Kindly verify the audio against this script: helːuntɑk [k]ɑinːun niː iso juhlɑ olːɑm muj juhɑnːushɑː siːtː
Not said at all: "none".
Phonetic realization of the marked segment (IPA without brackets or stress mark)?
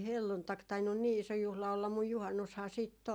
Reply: t